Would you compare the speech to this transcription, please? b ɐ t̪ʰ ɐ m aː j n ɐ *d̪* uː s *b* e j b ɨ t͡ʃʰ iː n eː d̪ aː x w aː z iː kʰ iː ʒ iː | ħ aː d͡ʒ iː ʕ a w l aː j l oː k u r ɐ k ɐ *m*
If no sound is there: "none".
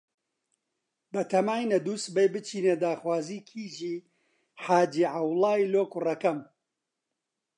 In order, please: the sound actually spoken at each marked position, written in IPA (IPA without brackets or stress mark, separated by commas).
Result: d̪, b, m